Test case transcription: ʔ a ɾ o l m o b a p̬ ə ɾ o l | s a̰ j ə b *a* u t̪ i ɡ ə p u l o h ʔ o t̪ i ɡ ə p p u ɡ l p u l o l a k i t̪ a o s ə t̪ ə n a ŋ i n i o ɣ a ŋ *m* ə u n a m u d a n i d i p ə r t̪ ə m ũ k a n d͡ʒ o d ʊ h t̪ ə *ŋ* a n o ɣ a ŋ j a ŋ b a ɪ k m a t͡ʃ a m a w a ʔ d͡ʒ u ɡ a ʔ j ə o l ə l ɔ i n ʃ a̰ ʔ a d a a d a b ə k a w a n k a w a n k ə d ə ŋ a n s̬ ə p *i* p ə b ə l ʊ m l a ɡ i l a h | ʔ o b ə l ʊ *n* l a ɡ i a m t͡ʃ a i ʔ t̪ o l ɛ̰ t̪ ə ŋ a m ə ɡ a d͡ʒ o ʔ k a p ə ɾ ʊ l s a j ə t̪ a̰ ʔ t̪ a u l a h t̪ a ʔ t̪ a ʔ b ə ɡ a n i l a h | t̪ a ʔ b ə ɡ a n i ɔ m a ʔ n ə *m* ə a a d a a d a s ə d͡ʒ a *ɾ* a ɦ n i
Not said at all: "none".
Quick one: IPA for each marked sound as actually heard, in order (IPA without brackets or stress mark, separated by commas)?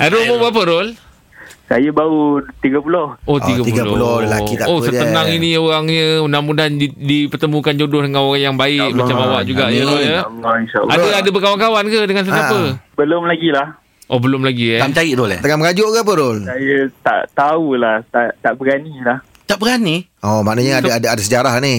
a, ɲ, ŋ, a, m, ɲ, ɾ